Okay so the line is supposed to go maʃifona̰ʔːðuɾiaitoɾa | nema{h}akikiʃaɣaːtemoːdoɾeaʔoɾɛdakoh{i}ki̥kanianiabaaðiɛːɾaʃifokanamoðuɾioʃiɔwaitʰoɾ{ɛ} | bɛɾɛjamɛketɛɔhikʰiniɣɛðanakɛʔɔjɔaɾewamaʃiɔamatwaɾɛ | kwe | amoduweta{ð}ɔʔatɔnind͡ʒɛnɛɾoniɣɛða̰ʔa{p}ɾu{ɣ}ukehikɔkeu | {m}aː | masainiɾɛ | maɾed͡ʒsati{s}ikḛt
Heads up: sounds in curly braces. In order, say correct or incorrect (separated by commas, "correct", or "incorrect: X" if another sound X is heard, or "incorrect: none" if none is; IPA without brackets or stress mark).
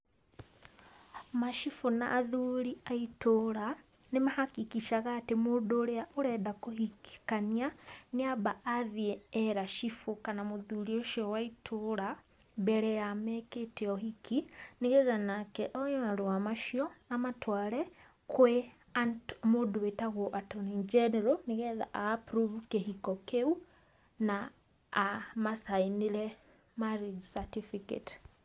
correct, correct, incorrect: a, incorrect: ɣ, correct, incorrect: v, incorrect: n, incorrect: f